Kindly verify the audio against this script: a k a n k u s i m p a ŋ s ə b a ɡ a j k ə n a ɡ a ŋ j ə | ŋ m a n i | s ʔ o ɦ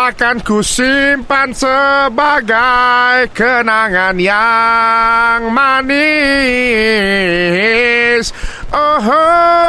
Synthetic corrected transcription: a k a n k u s i m p a n s ə b a ɡ a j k ə n a ŋ a n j a | ŋ m a n i | s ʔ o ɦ